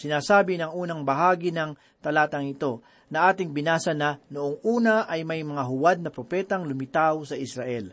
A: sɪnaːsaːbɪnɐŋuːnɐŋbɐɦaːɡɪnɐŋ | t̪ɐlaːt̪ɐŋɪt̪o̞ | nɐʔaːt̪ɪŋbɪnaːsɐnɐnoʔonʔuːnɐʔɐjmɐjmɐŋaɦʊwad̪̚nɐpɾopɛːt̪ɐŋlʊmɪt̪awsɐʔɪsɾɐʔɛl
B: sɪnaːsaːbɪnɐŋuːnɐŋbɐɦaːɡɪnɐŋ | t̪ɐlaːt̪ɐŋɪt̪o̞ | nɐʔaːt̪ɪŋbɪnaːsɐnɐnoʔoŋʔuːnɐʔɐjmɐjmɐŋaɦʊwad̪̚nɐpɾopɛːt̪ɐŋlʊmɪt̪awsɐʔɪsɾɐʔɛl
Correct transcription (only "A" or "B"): B